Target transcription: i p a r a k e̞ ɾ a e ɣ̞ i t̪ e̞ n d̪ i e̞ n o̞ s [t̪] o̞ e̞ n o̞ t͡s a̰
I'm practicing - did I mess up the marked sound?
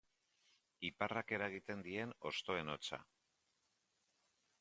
no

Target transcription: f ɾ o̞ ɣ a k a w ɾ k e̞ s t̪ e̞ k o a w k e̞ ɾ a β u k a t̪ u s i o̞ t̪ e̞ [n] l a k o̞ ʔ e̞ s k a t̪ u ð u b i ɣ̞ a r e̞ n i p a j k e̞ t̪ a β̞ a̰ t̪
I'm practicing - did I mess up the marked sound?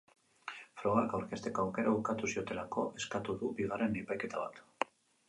yes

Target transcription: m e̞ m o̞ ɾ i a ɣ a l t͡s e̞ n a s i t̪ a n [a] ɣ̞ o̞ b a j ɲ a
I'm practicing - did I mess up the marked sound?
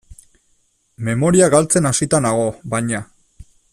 no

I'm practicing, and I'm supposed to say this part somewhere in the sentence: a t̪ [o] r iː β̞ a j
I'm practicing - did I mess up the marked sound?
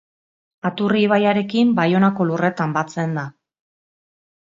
yes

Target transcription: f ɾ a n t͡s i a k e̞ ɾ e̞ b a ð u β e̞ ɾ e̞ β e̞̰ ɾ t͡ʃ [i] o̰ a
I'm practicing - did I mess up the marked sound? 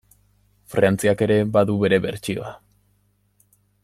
no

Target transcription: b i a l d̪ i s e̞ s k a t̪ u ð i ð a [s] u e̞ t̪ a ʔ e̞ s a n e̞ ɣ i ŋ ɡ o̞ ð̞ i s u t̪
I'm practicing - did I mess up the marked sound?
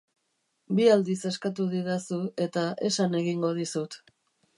no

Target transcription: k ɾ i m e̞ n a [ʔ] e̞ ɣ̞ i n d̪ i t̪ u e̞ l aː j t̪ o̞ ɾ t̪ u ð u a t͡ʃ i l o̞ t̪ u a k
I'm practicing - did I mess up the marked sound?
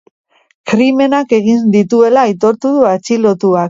yes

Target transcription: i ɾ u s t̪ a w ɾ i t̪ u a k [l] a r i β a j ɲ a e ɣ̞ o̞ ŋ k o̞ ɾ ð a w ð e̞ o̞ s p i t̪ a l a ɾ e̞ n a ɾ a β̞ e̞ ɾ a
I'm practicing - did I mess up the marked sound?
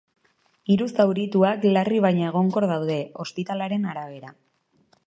no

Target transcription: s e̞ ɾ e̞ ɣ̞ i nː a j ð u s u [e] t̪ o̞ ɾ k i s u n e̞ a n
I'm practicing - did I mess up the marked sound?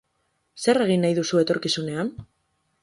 no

